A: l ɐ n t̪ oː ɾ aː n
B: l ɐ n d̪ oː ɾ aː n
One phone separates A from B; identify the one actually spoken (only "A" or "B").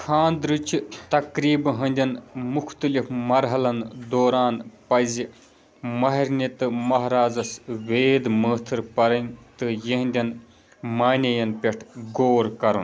B